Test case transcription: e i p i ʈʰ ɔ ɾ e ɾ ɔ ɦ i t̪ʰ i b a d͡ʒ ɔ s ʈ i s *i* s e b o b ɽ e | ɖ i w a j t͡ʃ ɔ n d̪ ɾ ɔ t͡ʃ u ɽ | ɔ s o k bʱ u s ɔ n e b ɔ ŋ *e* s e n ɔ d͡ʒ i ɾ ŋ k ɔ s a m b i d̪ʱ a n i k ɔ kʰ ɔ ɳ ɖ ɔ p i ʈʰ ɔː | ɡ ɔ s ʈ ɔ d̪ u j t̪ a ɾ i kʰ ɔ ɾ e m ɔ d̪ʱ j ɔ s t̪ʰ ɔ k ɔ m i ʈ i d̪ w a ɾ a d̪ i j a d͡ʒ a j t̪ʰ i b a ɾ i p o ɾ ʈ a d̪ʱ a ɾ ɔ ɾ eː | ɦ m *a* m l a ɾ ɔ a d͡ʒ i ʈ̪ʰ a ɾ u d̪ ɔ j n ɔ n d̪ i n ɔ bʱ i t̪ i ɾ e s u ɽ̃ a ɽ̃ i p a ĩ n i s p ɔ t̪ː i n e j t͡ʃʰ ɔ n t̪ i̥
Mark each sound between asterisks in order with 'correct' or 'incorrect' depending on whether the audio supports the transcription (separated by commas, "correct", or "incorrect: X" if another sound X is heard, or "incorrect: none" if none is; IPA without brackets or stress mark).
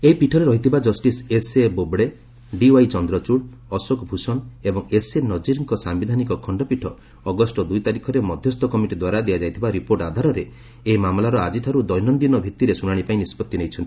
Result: incorrect: e, correct, correct